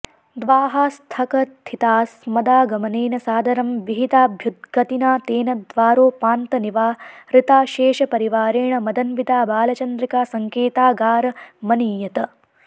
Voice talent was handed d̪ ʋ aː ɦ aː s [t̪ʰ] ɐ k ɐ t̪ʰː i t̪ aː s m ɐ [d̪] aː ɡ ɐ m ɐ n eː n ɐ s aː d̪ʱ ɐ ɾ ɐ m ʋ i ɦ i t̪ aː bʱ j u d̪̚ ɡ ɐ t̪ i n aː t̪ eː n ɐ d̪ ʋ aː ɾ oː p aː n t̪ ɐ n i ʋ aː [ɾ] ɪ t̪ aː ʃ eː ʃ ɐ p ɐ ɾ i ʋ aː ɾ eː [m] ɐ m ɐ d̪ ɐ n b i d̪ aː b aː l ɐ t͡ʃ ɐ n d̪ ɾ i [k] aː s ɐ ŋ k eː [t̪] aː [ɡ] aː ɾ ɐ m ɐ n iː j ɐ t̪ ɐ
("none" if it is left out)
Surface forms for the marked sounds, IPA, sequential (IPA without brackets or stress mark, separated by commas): t̪ʰ, d̪, ɾ, ɳ, k, t̪, ɡ